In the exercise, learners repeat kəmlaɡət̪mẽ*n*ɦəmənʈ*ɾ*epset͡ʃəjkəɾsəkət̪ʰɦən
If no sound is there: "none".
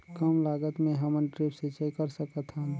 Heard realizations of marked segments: none, ɾ

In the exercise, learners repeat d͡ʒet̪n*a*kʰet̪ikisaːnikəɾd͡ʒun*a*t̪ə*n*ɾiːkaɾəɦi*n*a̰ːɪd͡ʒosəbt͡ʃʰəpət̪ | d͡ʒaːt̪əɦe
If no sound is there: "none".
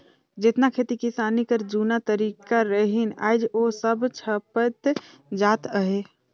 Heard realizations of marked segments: a, a, none, n

